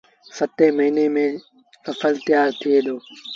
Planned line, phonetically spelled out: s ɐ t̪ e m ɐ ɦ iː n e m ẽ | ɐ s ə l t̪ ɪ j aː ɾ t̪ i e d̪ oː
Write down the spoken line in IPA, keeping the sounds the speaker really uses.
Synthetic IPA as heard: s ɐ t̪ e m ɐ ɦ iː n e m ẽ | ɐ f ə l t̪ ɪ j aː ɾ t̪ʰ i e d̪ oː